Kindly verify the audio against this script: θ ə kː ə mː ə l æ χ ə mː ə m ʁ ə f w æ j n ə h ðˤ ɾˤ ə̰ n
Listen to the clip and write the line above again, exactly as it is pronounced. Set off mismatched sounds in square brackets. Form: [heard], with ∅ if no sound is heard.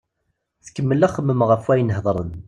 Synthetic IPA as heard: θ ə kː ə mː ə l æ χ ə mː ə m ʁ ə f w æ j n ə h ðˤ ɾˤ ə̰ n